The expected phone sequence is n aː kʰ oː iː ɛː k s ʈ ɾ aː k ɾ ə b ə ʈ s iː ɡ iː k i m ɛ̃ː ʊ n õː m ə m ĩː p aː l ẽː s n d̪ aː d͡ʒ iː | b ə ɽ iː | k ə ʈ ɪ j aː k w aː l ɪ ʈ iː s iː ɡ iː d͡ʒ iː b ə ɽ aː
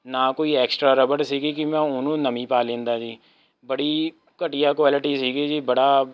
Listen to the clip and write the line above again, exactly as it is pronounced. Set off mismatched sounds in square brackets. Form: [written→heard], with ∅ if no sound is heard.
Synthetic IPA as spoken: n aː [kʰ→k] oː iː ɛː k s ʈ ɾ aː [k→∅] ɾ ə b ə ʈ s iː ɡ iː k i m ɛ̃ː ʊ n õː [m→n] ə m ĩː p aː l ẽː [s→∅] n d̪ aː d͡ʒ iː | b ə ɽ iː | k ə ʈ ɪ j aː k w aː l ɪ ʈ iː s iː ɡ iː d͡ʒ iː b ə ɽ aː